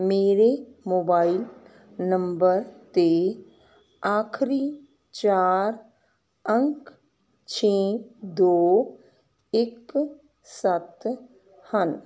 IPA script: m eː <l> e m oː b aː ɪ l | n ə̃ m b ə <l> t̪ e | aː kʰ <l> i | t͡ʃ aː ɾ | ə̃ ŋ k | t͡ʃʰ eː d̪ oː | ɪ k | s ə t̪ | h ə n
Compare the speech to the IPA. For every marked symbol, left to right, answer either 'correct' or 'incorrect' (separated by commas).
incorrect, incorrect, incorrect